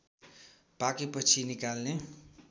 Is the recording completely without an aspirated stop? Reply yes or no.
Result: no